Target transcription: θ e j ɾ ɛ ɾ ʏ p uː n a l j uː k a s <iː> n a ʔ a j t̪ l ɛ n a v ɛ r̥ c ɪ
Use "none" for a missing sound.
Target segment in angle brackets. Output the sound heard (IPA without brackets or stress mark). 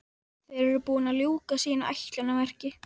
iː